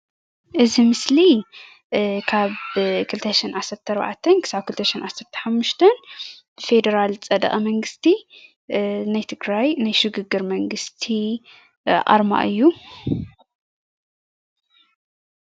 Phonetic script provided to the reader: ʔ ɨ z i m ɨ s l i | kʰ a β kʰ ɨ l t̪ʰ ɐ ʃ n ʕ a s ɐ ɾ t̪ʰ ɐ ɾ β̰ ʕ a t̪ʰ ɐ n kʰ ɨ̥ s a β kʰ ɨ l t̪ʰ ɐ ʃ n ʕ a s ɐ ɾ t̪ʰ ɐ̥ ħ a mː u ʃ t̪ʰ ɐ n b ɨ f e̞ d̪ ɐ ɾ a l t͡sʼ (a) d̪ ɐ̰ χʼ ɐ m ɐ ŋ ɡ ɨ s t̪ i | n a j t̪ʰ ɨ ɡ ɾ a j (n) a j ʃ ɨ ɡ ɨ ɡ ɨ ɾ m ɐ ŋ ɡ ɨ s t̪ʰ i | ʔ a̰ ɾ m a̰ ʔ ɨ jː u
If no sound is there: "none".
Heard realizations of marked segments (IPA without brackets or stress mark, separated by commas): ɐ, n